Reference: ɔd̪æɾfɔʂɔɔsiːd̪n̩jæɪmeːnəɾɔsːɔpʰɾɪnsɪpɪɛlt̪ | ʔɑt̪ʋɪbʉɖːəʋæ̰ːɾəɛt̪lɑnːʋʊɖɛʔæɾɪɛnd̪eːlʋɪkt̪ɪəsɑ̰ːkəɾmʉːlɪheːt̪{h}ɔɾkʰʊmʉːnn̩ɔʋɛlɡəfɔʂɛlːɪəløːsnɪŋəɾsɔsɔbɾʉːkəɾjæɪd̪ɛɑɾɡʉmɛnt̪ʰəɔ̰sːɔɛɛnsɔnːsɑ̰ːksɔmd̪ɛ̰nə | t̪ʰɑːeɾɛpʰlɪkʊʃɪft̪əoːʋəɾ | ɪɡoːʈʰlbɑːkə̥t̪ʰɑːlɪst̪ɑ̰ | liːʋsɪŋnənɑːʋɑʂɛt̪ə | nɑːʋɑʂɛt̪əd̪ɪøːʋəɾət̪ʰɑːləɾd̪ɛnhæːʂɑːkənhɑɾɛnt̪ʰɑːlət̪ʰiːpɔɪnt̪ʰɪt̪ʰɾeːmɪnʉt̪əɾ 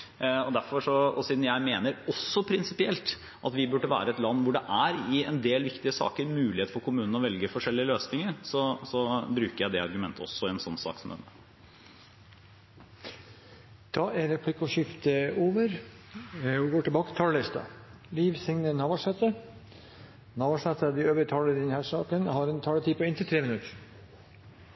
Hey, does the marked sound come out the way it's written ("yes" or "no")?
no